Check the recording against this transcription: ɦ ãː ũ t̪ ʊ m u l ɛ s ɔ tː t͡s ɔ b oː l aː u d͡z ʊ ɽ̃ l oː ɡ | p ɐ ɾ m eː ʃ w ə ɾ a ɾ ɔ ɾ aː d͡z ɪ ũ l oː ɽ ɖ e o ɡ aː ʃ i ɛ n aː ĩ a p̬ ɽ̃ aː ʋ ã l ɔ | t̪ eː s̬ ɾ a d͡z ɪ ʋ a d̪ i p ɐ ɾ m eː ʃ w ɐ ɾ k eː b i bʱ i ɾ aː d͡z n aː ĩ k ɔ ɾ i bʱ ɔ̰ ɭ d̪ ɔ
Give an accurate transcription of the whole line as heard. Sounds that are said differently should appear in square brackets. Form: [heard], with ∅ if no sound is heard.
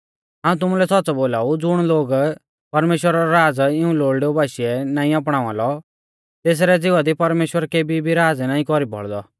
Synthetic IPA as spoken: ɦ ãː ũ t̪ ʊ m u l ɛ s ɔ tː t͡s ɔ b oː l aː u d͡z ʊ ɽ̃ l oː ɡ | p ɐ ɾ m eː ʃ w ə ɾ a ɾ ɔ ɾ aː d͡z ɪ ũ l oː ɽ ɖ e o [b] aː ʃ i ɛ n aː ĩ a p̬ ɽ̃ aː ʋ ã l ɔ | t̪ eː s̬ ɾ [ɛ] d͡z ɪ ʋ a d̪ i p ɐ ɾ m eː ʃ w [ə] ɾ k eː b i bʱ i ɾ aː d͡z n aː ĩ k ɔ ɾ i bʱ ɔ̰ ɭ d̪ ɔ